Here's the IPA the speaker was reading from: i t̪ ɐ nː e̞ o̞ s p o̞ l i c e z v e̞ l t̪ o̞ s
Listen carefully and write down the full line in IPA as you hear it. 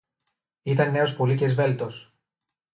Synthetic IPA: i t̪ ɐ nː e̞ o̞ s p o̞ l i c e z v e̞ l t̪ o̞ s